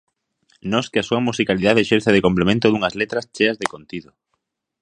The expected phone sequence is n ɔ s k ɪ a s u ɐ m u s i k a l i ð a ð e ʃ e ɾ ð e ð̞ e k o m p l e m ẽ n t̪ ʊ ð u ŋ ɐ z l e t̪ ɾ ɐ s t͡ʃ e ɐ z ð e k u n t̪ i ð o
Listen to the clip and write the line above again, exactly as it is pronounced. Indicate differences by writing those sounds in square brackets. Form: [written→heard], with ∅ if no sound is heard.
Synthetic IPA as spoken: n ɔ s k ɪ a s u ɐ m u s i k a l i ð a ð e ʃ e ɾ [ð→θ] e ð̞ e k o m p l e m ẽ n t̪ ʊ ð u ŋ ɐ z l e t̪ ɾ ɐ s t͡ʃ e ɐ z ð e k [u→o] n t̪ i ð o